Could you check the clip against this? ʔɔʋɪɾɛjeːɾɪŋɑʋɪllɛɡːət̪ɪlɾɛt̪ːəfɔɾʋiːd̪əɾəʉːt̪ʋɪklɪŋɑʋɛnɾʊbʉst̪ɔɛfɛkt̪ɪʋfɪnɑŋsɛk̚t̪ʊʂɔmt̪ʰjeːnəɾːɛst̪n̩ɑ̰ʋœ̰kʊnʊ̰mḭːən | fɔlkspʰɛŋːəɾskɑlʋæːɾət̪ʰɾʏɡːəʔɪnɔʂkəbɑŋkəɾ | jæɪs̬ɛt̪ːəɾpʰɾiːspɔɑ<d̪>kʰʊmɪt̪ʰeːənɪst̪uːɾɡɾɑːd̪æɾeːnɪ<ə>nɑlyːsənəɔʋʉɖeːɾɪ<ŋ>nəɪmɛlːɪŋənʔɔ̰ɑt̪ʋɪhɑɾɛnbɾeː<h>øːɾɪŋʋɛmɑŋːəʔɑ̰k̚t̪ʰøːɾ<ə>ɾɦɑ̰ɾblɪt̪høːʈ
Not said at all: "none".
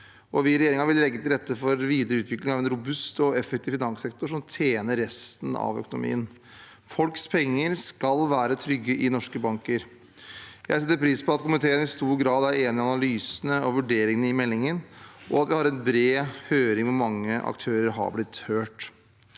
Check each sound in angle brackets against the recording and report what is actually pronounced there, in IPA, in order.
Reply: t̪, ɑ, ŋ, h, ə

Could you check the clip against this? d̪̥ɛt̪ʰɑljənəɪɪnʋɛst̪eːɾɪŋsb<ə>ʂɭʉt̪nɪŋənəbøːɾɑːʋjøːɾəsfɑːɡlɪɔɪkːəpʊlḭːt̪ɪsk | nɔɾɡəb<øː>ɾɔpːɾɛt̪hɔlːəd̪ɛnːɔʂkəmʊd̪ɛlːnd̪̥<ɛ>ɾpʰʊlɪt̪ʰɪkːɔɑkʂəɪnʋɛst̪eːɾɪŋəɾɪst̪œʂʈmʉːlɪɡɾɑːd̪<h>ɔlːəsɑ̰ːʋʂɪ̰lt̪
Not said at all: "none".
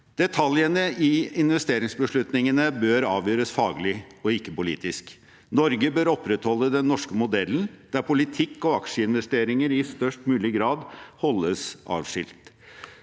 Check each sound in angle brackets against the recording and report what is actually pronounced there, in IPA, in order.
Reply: ə, øː, æ, h

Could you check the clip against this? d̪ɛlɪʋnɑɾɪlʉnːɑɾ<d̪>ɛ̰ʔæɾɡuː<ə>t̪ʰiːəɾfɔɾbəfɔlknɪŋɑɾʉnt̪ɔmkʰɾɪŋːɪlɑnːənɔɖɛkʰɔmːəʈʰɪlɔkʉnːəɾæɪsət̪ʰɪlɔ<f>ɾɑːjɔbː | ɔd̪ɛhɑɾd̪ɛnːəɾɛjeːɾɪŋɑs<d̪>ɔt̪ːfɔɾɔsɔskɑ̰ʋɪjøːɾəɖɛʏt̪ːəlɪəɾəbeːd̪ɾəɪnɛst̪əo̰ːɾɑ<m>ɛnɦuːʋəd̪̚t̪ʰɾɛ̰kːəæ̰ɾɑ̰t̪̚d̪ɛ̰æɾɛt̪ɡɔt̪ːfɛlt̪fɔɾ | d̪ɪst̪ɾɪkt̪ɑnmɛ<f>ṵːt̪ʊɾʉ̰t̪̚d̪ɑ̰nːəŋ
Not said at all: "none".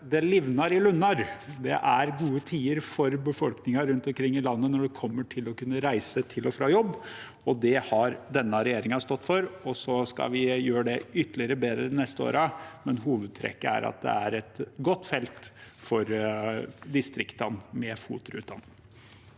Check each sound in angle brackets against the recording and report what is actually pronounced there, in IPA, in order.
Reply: d̪, ə, f, t̪, m, f

